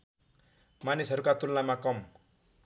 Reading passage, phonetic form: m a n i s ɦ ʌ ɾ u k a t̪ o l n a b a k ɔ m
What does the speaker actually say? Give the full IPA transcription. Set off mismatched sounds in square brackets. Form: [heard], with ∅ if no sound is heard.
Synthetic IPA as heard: m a n i s ɦ ʌ ɾ u k a t̪ [u] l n a [m] a k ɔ m